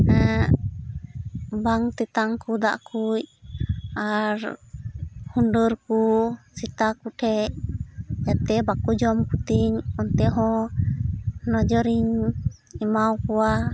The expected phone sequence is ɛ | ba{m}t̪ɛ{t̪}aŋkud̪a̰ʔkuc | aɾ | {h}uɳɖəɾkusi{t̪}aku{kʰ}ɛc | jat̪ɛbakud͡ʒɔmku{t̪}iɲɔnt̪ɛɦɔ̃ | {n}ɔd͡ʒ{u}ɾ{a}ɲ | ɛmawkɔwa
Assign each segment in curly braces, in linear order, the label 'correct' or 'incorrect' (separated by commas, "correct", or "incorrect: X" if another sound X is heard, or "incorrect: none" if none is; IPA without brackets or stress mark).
incorrect: ŋ, correct, correct, correct, incorrect: ʈʰ, correct, correct, incorrect: ɔ, incorrect: i